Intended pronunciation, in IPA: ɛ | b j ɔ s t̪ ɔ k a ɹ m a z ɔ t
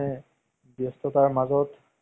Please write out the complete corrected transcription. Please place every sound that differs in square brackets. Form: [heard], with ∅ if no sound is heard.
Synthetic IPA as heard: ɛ | b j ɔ s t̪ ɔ [t] a ɹ m a z ɔ t